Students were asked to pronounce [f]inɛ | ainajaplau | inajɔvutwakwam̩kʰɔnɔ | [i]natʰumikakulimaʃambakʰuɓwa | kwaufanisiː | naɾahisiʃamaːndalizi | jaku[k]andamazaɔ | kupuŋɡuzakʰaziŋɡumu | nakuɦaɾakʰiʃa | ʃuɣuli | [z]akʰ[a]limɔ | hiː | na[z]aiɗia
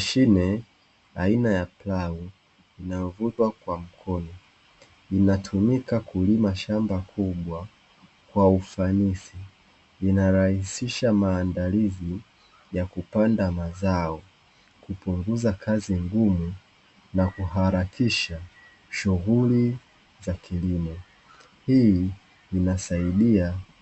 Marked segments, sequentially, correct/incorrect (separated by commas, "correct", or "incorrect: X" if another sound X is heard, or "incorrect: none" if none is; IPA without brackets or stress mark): incorrect: ʃ, correct, incorrect: p, correct, incorrect: i, incorrect: s